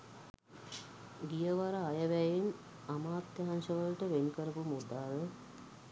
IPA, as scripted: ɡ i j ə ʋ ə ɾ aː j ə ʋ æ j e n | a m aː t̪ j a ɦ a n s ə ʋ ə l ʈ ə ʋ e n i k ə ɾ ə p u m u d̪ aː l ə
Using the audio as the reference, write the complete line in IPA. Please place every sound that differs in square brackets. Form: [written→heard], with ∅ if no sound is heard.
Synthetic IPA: ɡ i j ə ʋ [ə→a] ɾ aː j ə ʋ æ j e n | a m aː t̪ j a ɦ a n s ə ʋ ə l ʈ ə ʋ e n i k ə ɾ ə p u m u d̪ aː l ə